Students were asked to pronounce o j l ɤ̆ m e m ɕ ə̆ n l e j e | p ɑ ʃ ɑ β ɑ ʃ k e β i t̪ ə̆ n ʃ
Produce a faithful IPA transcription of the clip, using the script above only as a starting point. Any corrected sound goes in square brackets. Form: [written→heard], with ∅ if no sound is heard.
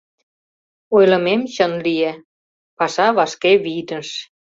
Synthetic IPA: o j l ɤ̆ m e m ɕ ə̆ n l [e→i] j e | p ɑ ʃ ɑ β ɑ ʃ k e β i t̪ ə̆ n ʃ